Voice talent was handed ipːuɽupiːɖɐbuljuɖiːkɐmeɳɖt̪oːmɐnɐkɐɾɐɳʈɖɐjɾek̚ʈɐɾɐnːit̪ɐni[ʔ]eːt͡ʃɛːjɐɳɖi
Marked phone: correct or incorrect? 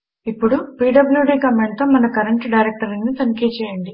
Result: incorrect